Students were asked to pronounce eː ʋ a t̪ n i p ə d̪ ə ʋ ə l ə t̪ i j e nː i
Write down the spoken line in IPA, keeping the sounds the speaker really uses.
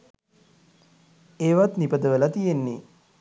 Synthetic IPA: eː ʋ a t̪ n i p ə d̪ ə ʋ ə l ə t̪ i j e nː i